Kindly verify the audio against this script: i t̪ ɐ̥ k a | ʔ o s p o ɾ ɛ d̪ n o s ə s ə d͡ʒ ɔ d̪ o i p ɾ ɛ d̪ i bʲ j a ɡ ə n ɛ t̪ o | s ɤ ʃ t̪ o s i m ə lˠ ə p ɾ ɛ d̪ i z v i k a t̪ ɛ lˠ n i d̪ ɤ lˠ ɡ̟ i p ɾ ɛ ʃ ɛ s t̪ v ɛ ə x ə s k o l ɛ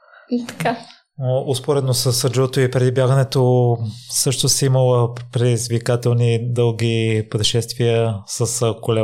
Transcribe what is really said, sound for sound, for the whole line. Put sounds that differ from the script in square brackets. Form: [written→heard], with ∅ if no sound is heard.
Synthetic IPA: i t̪ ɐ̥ k a | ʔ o s p o ɾ ɛ d̪ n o s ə s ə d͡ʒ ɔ [d̪→t̪] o i p ɾ ɛ d̪ i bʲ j a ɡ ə n ɛ t̪ o | s ɤ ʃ t̪ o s i m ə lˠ ə p ɾ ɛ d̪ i z v i k a t̪ ɛ lˠ n i d̪ ɤ lˠ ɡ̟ i p ɾ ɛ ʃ ɛ s t̪ v [ɛ→i] ə [x→s] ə s k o l ɛ